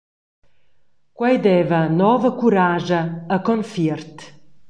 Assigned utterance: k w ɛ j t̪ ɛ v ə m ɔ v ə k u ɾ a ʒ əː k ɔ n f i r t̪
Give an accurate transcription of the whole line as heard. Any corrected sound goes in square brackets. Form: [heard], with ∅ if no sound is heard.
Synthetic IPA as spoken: k w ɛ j [d̪] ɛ v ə [n] ɔ v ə k u ɾ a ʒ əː k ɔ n f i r t̪